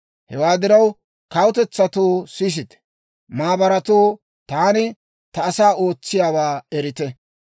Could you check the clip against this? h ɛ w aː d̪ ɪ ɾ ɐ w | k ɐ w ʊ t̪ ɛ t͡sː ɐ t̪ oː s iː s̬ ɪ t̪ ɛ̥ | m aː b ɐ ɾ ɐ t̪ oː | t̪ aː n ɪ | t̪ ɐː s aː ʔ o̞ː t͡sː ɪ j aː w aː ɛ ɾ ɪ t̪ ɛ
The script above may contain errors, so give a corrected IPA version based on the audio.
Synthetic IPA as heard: h ɛ w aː d̪ ɪ ɾ ɐ w | k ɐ w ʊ t̪ ɛ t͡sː ɐ t̪ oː s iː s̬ ɪ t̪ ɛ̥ | m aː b ɐ ɾ ɐ t̪ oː | t̪ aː n ɪ | t̪ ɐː s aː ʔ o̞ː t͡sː ɪ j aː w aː ɛ ɾ ɪ t̪ ɛ